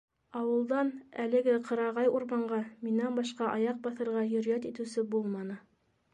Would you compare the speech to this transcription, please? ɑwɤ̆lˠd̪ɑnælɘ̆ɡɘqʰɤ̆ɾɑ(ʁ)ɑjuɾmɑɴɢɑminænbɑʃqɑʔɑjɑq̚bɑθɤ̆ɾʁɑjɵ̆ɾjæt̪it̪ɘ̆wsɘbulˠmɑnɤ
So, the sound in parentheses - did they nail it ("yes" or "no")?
yes